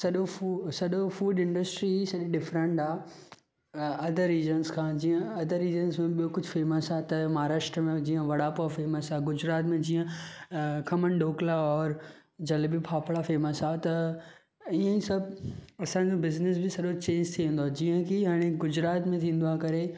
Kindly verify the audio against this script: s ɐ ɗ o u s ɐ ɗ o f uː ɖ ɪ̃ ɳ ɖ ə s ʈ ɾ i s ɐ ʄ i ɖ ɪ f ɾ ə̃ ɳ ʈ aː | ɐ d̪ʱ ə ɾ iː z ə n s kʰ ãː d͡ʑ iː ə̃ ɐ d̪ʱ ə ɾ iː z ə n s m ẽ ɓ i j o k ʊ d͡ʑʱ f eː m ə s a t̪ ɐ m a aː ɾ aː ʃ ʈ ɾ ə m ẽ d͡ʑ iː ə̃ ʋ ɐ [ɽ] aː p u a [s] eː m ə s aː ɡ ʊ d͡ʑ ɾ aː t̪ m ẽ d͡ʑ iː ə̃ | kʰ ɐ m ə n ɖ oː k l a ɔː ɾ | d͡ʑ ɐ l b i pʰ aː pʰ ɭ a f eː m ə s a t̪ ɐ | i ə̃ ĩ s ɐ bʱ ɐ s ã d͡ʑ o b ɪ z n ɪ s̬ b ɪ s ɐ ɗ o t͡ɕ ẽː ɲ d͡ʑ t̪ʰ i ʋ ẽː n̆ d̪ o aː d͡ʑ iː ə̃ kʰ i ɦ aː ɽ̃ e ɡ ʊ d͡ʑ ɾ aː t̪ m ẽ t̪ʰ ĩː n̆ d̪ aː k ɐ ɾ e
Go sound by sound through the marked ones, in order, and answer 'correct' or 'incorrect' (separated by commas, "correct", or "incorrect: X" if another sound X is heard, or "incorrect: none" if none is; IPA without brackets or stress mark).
correct, incorrect: f